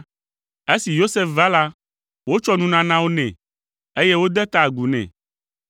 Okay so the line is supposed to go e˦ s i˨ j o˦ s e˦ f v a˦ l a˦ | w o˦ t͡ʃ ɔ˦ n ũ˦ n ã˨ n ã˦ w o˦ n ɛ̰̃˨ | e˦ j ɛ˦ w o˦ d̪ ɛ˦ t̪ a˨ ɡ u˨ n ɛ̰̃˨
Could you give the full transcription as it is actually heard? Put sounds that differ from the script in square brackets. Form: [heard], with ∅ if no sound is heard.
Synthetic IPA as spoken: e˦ s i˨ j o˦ s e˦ f v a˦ l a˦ | w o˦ t͡ʃ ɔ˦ n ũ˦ n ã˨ n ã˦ w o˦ n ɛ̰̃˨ | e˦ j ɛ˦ w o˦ d̪ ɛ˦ t̪ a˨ ɡ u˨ n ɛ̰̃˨